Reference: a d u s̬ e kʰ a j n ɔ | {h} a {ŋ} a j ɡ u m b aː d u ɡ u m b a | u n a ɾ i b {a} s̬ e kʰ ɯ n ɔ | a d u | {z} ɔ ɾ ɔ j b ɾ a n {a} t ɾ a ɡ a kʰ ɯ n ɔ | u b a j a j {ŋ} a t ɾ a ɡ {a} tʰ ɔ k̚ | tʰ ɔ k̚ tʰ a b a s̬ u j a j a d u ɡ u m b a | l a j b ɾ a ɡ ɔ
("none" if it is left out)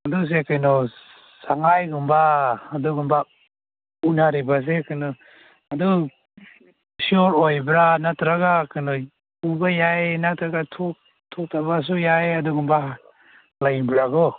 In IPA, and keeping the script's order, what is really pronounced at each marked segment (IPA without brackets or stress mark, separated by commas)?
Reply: s, ŋ, a, s, a, n, a